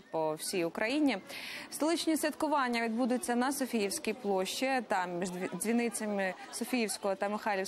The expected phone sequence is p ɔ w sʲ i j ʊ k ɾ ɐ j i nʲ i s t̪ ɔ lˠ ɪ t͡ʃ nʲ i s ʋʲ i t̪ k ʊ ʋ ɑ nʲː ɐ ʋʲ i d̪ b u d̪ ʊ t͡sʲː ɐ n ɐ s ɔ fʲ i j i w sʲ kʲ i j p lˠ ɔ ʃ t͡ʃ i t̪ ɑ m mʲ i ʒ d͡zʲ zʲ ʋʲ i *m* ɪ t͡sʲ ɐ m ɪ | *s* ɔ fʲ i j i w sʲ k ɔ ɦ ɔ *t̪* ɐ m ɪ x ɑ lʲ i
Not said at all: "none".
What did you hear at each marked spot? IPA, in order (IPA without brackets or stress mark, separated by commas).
n, s, t̪